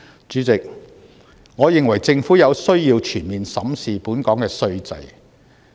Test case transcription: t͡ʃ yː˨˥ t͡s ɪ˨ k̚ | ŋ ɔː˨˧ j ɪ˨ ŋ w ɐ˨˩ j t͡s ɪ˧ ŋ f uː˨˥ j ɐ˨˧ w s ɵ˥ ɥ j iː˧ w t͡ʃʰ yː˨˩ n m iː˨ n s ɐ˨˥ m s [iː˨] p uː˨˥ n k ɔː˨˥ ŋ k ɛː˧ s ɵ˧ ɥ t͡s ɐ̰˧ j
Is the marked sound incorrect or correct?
correct